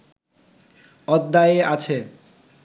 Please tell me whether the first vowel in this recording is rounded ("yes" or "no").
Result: yes